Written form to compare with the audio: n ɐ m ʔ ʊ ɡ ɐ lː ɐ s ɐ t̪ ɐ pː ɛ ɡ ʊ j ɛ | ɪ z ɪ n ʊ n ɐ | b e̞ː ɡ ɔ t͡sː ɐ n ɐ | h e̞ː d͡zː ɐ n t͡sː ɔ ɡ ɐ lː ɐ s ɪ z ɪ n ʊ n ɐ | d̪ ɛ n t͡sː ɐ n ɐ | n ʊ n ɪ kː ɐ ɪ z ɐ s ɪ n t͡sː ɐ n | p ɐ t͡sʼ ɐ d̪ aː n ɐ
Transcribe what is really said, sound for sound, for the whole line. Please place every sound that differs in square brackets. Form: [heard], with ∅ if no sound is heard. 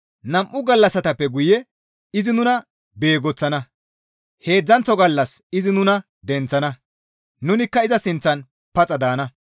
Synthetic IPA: n ɐ m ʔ ʊ ɡ ɐ lː ɐ s ɐ t̪ ɐ pː ɛ ɡ ʊ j ɛ | ɪ z ɪ n ʊ n ɐ | b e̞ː ɡ ɔ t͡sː ɐ n ɐ | h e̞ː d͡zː ɐ n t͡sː ɔ ɡ ɐ lː ɐ s ɪ z ɪ n ʊ n ɐ | d̪ ɛ n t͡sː ɐ n ɐ | n ʊ n ɪ kː ɐ ɪ z ɐ s ɪ n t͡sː ɐ n | p ɐ t͡sʼ ɐ d̪ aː n ɐ